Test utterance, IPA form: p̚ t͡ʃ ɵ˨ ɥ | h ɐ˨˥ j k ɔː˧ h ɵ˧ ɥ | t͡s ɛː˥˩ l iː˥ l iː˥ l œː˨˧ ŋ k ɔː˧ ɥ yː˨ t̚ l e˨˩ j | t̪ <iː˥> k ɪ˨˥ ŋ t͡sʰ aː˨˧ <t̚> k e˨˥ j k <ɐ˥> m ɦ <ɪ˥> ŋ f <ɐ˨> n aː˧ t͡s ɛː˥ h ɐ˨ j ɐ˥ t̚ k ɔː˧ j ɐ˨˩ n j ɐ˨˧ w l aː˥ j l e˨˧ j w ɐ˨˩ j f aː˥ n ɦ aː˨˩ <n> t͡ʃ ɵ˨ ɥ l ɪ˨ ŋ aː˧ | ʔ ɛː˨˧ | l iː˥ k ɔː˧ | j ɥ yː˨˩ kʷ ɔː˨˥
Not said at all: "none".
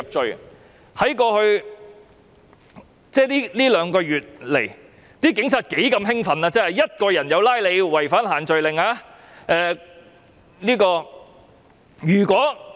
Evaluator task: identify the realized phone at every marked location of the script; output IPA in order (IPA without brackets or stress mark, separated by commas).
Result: iː˥, t̚, ɐ˧, ɪ˥, ɐ˨, n